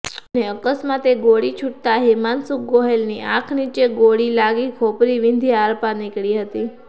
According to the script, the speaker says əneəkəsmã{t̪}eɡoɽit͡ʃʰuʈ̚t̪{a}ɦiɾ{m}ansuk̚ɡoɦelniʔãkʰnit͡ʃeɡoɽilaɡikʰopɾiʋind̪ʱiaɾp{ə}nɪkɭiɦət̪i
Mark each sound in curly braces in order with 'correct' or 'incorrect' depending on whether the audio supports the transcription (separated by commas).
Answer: correct, correct, correct, incorrect